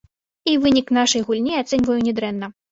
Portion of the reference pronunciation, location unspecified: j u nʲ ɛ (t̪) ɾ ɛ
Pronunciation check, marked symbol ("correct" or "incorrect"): incorrect